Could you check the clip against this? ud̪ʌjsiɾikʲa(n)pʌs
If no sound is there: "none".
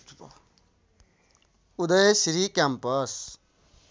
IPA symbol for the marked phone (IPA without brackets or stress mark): m